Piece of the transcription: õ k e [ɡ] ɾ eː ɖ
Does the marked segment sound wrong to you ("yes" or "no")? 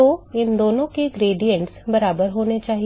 no